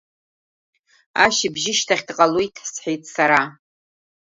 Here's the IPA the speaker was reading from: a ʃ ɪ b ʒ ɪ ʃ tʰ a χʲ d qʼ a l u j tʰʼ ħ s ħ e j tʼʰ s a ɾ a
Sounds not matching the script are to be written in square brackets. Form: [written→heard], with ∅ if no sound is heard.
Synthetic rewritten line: a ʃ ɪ b ʒ ɪ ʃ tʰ a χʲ d qʼ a l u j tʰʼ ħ s ħ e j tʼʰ s a ɾ a